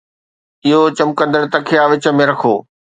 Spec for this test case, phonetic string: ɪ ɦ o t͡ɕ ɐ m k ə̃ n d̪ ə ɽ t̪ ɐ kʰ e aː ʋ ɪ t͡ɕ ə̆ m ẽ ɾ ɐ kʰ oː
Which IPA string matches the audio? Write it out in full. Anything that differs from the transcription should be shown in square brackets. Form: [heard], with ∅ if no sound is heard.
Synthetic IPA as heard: ɪ ɦ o t͡ɕ ɐ m k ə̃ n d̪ ə ɽ t̪ ɐ kʰ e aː ʋ ɪ t͡ɕ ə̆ m ẽ ɾ ɐ kʰ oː